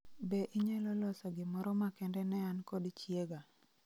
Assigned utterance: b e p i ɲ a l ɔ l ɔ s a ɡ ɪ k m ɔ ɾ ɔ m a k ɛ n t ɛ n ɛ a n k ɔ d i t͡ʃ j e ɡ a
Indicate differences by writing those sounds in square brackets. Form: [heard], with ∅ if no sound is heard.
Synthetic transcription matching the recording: b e [ʔ] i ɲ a l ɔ l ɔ s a ɡ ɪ [∅] m ɔ ɾ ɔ m a k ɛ n [d] ɛ n ɛ a n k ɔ d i t͡ʃ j e ɡ a